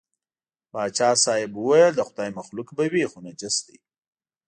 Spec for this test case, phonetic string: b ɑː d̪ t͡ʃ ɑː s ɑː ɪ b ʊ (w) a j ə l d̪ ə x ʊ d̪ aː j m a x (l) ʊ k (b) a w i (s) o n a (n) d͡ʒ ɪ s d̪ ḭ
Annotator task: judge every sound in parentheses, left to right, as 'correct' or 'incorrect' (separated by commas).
correct, correct, correct, incorrect, incorrect